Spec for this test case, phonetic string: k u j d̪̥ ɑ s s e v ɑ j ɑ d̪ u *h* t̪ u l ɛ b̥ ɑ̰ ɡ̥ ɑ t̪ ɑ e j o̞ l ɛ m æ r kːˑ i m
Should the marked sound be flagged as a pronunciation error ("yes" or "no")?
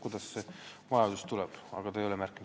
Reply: yes